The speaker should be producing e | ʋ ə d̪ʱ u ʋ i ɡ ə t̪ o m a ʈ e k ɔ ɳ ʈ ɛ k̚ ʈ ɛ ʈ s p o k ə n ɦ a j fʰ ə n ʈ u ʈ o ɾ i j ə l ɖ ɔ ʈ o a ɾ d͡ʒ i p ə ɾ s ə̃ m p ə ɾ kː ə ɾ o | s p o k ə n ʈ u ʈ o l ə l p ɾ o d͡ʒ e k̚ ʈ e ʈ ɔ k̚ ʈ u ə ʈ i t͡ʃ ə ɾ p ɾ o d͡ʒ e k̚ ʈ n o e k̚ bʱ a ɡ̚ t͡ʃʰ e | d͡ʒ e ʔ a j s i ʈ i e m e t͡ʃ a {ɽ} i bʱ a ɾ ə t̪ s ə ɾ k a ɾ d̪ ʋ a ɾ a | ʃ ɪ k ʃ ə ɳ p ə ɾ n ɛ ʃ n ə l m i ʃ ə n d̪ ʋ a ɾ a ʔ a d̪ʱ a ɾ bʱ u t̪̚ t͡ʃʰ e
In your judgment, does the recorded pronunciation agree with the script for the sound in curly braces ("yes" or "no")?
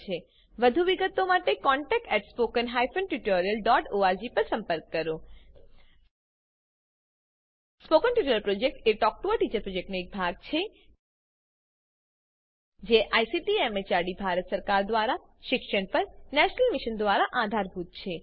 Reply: yes